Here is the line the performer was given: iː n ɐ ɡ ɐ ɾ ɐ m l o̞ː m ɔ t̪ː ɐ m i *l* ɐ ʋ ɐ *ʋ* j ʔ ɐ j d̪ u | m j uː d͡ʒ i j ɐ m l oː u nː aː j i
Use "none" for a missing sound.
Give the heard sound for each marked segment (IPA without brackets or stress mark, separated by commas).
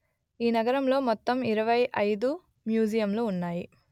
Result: ɾ, none